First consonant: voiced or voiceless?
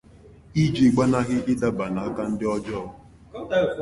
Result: voiced